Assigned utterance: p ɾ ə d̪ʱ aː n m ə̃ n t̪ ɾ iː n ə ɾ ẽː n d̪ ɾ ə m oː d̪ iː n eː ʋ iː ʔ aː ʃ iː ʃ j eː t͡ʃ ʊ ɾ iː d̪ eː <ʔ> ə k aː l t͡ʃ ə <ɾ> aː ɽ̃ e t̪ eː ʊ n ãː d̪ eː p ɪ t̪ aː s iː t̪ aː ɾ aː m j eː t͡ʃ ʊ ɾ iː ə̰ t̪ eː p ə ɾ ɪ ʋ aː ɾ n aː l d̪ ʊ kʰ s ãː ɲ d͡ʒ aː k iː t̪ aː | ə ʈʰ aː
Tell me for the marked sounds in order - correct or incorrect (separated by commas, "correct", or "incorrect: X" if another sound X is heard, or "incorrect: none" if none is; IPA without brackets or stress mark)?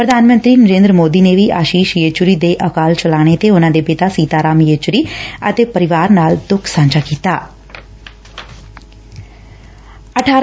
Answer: correct, incorrect: l